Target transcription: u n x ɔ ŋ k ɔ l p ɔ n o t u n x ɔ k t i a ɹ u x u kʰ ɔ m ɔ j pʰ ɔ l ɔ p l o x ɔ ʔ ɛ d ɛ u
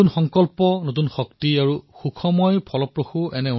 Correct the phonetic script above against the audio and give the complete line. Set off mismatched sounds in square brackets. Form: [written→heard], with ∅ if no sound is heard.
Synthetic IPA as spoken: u n x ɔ ŋ k ɔ l p ɔ n o t u n x ɔ k t i a ɹ u x u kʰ ɔ m ɔ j pʰ ɔ l ɔ p [l→ɹ] o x [ɔ→u] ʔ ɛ [d→n] ɛ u

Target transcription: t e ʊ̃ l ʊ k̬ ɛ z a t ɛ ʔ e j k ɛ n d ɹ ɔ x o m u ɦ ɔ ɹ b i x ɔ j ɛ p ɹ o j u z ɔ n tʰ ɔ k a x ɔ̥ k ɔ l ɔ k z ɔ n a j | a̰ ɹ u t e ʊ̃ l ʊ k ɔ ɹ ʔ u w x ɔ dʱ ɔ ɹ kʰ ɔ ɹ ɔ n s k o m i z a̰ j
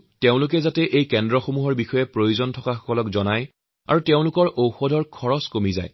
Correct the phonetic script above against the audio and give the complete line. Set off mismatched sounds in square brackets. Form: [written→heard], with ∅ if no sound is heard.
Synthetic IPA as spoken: t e ʊ̃ l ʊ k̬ ɛ z a t ɛ ʔ e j k ɛ n d ɹ ɔ x o m u ɦ ɔ ɹ b i x ɔ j ɛ p ɹ o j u z ɔ n tʰ ɔ k a x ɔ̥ k ɔ l ɔ k z ɔ n a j | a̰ ɹ u t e ʊ̃ l ʊ k ɔ ɹ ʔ [u→o] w x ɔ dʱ ɔ ɹ kʰ ɔ ɹ ɔ [n→∅] s k o m i z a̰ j

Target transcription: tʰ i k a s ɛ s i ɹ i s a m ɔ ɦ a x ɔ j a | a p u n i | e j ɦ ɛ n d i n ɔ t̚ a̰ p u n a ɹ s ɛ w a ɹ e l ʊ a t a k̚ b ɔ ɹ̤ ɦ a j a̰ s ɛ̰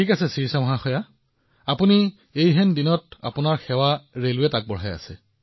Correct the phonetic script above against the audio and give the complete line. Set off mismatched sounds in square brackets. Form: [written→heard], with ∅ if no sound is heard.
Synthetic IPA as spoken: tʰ i k a s ɛ s i ɹ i s a m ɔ ɦ a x ɔ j a | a p u n i | e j ɦ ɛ n d i n ɔ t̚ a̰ p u n a ɹ [s→x] ɛ w a ɹ e l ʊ [a→ɛ] t a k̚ b ɔ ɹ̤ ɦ a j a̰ s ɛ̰

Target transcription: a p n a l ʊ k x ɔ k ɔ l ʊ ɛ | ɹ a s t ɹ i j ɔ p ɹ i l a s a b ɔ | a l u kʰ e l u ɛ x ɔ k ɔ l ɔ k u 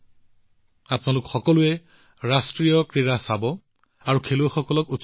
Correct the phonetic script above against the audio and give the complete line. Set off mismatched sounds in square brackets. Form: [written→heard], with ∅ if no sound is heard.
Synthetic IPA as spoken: a p n a l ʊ k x ɔ k ɔ l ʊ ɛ | ɹ a s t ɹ i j ɔ [p→k] ɹ i [l→ɹ] a s a b ɔ | a [l→ɹ] u kʰ e l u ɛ x ɔ k ɔ l ɔ k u

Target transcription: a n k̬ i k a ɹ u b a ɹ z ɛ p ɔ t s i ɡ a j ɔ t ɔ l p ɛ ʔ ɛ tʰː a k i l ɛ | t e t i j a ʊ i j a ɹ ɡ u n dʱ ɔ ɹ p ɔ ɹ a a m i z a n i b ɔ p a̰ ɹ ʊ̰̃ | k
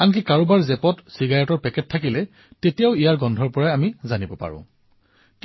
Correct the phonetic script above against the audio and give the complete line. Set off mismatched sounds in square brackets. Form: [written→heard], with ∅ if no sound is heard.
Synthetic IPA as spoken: a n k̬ i k a ɹ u b a ɹ z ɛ p ɔ t s i ɡ a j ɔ t ɔ [l→ɹ] p ɛ [ʔ→k] ɛ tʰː a k i l ɛ | t e t i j a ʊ i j a ɹ ɡ [u→ɔ] n dʱ ɔ ɹ p ɔ ɹ a a m i z a n i b ɔ p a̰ ɹ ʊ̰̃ | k

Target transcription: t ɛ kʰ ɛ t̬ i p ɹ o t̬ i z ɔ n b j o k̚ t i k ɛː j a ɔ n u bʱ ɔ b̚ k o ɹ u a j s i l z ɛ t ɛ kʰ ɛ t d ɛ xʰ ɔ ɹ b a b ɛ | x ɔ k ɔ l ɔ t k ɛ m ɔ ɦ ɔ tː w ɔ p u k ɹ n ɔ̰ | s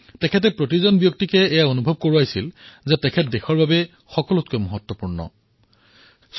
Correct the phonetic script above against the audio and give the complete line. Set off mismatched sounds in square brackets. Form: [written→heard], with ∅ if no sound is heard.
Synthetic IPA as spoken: t ɛ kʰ ɛ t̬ [i→ɛ] p ɹ o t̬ i z ɔ n b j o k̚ t i k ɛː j a [ɔ→o] n u bʱ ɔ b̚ k o ɹ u a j s i l z ɛ t ɛ kʰ ɛ t d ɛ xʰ ɔ ɹ b a b ɛ | x ɔ k ɔ l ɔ t k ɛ m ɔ ɦ ɔ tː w ɔ p u [k→∅] ɹ n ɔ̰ | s

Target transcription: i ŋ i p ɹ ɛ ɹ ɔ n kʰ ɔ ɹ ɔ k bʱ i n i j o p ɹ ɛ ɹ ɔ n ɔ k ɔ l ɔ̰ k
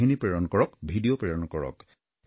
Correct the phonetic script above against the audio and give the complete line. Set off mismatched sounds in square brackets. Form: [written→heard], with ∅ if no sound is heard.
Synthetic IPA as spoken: i [ŋ→n] i p ɹ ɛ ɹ ɔ n [kʰ→k] ɔ ɹ ɔ k bʱ i [n→d] i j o p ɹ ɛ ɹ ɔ n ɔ k ɔ [l→ɹ] ɔ̰ k

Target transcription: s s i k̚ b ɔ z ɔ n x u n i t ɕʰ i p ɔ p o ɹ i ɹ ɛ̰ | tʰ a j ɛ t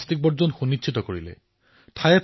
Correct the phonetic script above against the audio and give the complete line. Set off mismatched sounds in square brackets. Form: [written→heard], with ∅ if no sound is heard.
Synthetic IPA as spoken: s [s→t] i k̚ b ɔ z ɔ n x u n i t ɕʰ i [p→t] ɔ [p→k] o ɹ i [ɹ→l] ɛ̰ | tʰ a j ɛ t

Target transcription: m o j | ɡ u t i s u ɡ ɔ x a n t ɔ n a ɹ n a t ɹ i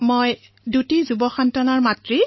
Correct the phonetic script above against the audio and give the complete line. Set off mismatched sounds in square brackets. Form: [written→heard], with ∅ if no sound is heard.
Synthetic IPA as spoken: m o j | [ɡ→d] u t i [s→z] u [ɡ→b] ɔ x a n t ɔ n a ɹ [n→m] a t ɹ i

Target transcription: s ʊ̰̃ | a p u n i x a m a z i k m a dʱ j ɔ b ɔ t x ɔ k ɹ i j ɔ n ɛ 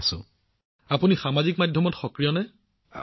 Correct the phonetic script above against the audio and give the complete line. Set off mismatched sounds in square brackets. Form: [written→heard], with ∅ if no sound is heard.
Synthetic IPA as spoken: s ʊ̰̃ | a p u n i x a m a z i k m a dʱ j ɔ [b→m] ɔ t x ɔ k ɹ i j ɔ n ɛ

